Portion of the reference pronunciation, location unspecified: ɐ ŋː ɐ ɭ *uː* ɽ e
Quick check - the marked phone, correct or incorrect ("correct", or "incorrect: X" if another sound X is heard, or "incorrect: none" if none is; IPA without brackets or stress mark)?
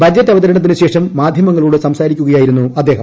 correct